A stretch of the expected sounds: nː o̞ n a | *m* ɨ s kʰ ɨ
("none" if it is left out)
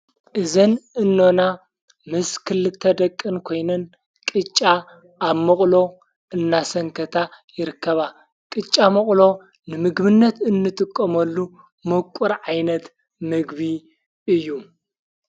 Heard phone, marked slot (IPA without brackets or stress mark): m